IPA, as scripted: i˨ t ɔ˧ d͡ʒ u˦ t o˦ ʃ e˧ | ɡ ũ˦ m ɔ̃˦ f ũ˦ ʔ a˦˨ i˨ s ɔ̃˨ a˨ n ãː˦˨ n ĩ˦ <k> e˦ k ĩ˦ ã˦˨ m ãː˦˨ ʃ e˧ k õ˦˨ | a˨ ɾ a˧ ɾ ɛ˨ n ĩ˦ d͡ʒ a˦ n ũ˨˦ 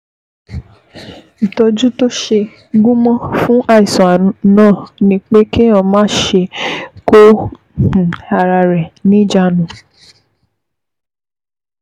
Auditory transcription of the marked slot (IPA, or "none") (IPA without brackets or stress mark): k͡p